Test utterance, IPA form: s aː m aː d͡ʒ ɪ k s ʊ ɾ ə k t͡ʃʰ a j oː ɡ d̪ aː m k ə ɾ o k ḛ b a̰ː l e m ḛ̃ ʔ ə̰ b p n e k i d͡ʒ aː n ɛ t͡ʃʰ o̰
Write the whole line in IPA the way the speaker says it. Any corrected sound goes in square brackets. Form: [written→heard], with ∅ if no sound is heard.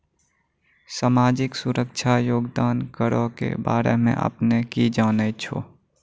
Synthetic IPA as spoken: s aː m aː d͡ʒ ɪ k s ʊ ɾ ə k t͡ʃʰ a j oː ɡ d̪ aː [m→n] k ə ɾ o k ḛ b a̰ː [l→ɾ] e m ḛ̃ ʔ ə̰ [b→∅] p n e k i d͡ʒ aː n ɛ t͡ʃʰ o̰